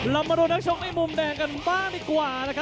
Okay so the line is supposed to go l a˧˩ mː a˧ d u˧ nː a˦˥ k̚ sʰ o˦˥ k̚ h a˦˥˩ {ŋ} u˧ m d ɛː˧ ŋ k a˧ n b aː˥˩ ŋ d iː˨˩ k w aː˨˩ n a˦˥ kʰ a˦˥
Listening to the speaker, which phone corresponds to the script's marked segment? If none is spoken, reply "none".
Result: m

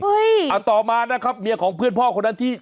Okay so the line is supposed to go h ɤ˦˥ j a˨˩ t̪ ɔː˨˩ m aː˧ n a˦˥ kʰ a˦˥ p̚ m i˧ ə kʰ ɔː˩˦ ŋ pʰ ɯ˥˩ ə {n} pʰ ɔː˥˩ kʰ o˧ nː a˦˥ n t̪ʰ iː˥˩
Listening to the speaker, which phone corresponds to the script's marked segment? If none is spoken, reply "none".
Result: n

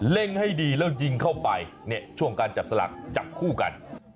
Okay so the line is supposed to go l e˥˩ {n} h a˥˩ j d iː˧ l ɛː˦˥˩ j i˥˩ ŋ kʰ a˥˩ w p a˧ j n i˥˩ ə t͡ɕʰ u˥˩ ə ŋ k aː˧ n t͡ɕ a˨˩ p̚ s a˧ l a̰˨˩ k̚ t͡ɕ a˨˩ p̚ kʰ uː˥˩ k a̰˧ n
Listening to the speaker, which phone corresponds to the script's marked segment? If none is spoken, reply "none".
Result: ŋ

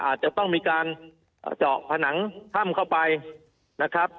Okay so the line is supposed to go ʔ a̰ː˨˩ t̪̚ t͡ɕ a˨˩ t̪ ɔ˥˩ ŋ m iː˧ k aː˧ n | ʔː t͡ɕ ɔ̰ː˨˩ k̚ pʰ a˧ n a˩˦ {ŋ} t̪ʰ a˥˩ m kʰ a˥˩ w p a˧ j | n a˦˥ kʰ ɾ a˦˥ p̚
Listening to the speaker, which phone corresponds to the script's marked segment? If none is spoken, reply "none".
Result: ŋ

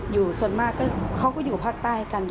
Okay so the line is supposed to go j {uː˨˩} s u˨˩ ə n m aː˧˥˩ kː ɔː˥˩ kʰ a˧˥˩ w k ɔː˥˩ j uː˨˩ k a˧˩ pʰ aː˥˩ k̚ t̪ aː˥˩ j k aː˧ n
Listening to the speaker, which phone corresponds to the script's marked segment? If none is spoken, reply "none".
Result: uː˨˩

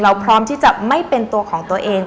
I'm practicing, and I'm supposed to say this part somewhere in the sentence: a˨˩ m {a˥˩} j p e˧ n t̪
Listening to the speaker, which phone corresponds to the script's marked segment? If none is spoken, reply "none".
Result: a˥˩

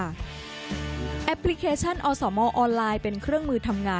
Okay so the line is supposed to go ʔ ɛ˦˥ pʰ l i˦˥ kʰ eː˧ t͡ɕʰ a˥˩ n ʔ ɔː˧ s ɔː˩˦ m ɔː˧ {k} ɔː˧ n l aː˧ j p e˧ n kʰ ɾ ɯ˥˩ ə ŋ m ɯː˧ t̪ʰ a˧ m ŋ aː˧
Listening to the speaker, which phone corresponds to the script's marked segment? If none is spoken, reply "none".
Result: ʔ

